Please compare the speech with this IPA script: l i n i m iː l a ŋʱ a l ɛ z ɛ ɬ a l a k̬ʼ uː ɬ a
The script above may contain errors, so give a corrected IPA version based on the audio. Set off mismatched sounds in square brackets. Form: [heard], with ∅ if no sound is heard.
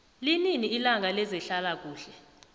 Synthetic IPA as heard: l i n i [n] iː l a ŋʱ a l ɛ z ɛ ɬ a l a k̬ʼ uː ɬ [ɛ]